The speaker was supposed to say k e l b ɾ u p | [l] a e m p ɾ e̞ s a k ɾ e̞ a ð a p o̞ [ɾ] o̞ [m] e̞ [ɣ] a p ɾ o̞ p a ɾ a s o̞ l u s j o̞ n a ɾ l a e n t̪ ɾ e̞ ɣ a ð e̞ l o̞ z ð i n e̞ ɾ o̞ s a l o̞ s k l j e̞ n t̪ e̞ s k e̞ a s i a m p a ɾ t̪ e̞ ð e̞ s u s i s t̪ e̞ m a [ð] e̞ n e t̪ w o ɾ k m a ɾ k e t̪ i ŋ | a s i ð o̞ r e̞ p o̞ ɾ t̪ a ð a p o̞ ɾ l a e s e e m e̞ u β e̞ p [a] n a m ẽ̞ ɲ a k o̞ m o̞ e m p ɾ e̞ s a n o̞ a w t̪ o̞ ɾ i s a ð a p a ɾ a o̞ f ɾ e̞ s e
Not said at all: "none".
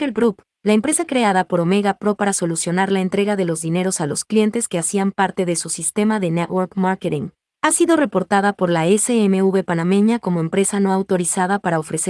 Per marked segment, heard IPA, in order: l, ɾ, m, ɣ, ð, a

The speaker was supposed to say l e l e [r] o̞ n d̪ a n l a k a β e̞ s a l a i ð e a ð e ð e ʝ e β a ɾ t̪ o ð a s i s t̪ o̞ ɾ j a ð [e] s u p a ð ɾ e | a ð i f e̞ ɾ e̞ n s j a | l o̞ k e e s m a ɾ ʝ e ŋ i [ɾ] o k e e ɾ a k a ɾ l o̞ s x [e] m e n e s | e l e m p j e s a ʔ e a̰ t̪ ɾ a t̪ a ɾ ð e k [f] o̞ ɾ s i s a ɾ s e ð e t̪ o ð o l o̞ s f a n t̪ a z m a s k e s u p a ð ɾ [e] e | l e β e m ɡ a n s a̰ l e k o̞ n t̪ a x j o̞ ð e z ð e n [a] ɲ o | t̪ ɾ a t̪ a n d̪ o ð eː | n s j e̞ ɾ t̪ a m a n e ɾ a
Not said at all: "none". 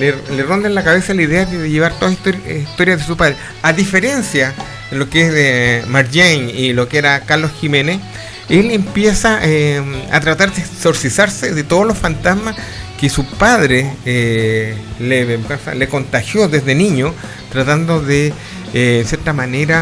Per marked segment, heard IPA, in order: r, e, l, i, s, e, i

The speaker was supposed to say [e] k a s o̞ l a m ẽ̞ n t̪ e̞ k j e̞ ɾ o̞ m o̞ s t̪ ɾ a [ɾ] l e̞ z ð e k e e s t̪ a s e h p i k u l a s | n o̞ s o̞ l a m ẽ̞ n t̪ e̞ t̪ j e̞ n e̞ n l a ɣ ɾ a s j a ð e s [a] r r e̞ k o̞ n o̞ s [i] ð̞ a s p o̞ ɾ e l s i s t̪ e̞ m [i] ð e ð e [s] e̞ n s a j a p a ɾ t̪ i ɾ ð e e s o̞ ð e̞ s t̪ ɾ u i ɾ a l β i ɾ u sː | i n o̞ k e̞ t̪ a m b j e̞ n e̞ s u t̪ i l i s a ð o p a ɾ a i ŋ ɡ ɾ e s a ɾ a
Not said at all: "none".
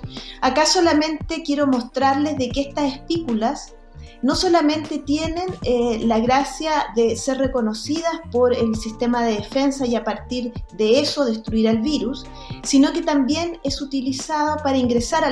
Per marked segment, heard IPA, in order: a, ɾ, e, i, a, f

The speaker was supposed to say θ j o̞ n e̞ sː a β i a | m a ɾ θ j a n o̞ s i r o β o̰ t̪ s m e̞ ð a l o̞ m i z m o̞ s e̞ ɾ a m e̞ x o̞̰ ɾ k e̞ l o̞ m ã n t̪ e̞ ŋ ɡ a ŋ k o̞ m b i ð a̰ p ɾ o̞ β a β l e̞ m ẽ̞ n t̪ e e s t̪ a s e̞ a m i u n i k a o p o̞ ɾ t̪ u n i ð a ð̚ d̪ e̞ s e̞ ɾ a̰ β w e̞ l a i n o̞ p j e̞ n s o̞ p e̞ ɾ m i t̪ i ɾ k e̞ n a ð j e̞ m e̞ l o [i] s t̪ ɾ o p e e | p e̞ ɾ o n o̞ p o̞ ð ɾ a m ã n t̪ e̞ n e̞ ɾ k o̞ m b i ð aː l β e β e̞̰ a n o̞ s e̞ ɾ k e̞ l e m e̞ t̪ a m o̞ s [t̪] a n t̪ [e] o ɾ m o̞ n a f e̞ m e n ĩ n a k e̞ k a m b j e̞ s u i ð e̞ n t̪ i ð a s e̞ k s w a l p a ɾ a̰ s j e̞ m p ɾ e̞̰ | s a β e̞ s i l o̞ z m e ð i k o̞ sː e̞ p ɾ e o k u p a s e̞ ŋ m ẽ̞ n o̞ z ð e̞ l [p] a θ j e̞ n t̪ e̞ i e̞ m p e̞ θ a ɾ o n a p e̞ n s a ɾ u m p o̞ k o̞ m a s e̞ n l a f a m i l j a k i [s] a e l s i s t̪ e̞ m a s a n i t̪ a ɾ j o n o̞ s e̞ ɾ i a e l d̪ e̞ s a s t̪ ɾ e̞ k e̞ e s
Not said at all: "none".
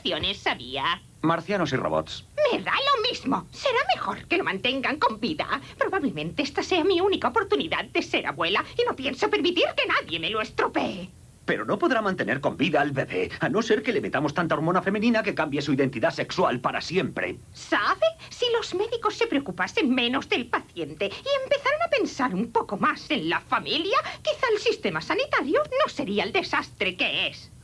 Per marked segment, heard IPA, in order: e, t̪, a, p, θ

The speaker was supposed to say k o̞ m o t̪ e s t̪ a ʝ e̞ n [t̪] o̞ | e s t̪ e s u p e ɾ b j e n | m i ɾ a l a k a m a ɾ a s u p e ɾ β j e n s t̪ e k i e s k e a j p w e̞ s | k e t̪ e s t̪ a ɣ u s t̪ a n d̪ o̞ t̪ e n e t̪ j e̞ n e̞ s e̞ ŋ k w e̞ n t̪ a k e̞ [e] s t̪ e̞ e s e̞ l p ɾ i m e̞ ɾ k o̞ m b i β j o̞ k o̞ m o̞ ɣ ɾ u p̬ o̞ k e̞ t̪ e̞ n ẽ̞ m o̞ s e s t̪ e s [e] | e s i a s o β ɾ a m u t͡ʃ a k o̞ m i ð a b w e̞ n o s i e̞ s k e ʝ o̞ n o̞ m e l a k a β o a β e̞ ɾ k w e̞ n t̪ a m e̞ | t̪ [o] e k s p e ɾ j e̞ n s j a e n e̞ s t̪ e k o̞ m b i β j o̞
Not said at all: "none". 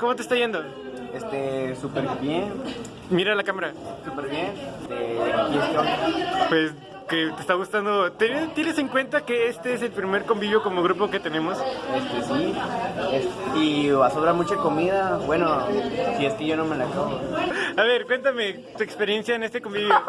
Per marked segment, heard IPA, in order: d̪, e, i, u

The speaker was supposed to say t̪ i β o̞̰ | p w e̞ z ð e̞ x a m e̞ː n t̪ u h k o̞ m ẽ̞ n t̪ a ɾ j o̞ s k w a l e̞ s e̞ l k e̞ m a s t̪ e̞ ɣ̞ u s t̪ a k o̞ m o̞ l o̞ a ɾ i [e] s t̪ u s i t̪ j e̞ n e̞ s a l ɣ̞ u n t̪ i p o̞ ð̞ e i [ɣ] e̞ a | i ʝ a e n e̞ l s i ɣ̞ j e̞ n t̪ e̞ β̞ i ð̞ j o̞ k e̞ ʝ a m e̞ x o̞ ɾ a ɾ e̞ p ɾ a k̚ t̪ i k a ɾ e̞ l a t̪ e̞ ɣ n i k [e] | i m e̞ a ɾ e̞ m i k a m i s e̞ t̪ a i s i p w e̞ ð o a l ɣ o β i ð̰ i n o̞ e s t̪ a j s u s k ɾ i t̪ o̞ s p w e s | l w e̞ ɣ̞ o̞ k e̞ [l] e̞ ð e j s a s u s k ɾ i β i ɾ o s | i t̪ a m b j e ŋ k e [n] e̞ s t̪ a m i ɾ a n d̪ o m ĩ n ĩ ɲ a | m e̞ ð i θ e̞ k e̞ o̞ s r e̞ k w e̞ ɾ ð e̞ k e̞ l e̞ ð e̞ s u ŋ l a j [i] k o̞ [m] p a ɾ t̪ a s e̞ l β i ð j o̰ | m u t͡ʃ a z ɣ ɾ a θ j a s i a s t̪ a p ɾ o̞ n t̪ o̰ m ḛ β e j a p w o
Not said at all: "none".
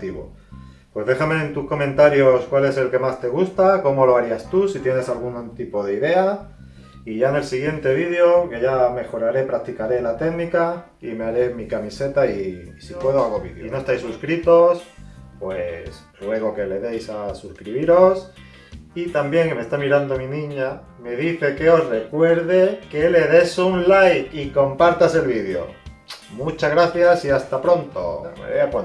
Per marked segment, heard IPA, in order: a, ð, a, l, m, i, m

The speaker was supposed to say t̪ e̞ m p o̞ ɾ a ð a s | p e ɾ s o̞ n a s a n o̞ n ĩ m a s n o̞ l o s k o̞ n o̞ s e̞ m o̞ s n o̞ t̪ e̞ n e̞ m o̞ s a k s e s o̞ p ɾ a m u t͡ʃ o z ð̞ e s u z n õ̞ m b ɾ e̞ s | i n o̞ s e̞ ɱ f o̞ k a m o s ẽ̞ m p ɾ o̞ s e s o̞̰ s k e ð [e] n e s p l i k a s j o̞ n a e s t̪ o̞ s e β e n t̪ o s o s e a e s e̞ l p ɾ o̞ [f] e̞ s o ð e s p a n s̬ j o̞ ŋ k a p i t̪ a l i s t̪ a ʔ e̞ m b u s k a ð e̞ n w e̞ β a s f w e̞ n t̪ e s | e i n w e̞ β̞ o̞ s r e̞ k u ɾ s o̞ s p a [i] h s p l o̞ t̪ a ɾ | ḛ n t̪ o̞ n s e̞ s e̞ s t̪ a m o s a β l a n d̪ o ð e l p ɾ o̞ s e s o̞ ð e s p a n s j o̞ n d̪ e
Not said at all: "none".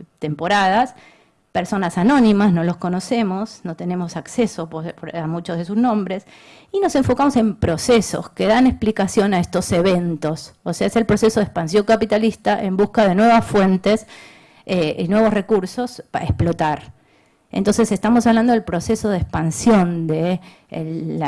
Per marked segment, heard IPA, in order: a, s, e

